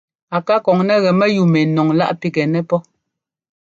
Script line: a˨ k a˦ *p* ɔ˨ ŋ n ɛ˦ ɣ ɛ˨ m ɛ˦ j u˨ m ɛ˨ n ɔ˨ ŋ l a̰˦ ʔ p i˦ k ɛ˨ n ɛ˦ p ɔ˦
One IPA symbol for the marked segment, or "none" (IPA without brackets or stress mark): k